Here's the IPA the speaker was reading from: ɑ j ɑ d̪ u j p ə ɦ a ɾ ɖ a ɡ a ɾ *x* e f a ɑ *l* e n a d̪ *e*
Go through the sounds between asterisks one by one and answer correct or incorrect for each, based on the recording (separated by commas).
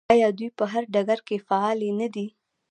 incorrect, correct, incorrect